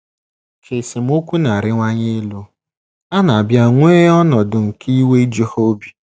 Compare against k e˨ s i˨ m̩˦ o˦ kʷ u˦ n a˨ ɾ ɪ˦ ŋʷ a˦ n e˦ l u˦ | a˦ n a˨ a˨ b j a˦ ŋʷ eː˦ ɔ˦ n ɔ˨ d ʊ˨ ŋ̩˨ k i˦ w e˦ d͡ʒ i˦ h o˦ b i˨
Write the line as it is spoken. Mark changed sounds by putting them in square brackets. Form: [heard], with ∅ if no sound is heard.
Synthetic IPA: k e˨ s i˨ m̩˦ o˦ kʷ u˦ n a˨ ɾ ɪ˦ ŋʷ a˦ [ɲ] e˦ l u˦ | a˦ n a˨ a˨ b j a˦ ŋʷ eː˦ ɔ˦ n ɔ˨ d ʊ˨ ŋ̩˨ k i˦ w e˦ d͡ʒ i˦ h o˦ b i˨

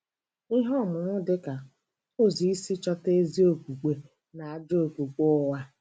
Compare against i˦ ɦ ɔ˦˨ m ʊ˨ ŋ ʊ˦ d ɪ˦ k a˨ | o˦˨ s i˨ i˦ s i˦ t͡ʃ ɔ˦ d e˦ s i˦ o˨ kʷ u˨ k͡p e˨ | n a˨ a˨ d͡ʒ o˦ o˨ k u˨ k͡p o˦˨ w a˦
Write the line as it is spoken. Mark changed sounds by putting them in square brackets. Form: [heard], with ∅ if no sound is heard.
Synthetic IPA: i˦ ɦ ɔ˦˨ m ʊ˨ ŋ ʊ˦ d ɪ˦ k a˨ | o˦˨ [z] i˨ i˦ s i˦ t͡ʃ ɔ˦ [t] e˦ [z] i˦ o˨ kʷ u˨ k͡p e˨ | n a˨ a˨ d͡ʒ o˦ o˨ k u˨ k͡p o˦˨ w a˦

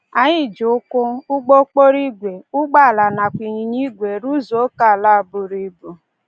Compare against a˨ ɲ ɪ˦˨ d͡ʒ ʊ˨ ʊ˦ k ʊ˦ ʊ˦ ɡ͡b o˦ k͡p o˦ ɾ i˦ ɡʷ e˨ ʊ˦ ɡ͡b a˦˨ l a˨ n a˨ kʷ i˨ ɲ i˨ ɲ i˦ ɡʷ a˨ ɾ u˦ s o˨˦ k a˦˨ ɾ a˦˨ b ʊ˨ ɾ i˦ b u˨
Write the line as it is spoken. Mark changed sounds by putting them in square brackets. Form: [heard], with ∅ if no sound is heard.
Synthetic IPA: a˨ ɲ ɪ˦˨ d͡ʒ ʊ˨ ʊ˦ k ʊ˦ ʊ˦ ɡ͡b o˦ k͡p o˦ ɾ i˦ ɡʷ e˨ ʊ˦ ɡ͡b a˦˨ l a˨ n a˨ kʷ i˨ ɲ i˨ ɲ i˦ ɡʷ [e˨] ɾ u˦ [z] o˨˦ k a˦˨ [l] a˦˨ b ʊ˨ ɾ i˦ b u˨

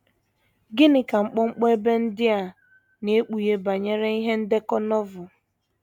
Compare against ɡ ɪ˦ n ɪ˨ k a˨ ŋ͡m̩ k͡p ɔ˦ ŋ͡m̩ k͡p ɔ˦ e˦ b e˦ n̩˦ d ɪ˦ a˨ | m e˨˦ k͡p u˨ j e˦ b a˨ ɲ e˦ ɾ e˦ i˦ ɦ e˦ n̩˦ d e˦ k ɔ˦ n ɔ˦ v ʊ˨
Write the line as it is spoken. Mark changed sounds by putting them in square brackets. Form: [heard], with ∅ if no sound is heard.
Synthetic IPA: ɡ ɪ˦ n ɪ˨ k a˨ ŋ͡m̩ k͡p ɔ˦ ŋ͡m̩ k͡p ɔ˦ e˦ b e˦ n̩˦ d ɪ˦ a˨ | [n] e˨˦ k͡p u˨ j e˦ b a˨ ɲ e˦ ɾ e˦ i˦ ɦ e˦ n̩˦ d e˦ k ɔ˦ n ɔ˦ v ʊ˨

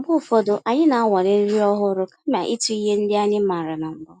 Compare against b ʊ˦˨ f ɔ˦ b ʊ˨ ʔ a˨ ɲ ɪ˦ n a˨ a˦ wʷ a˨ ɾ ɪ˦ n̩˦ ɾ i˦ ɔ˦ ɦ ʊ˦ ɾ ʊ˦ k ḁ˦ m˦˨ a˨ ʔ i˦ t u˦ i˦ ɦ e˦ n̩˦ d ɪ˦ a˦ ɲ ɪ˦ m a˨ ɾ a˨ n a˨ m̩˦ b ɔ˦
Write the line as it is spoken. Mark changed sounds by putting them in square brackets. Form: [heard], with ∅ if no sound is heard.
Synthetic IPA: b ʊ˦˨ f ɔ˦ [d] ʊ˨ ʔ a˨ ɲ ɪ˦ n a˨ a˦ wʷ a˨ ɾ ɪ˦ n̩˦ ɾ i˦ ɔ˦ ɦ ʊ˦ ɾ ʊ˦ k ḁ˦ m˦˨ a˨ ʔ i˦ t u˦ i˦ ɦ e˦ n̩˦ d ɪ˦ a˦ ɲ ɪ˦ m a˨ ɾ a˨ n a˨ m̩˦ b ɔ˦

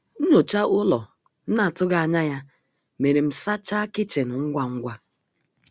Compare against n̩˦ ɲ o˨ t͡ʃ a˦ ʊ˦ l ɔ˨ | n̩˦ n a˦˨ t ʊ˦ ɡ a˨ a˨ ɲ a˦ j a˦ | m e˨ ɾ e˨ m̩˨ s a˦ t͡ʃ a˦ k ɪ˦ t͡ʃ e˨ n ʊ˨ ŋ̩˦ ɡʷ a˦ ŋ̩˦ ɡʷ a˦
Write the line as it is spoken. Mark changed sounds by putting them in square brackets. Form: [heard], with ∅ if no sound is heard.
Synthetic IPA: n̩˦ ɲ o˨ t͡ʃ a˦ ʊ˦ l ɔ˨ | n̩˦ n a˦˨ t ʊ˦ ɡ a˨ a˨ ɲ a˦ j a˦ | m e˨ ɾ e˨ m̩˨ s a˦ t͡ʃ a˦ k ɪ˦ t͡ʃ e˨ n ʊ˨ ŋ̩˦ ɡʷ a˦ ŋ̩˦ ɡʷ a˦

